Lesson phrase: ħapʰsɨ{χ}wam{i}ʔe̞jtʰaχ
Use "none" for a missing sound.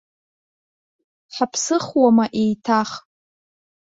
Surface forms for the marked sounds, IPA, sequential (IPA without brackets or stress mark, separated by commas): χ, a